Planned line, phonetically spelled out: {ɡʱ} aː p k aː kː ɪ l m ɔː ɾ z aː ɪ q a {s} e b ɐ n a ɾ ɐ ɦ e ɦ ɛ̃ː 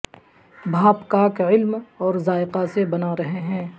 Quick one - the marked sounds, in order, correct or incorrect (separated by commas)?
incorrect, correct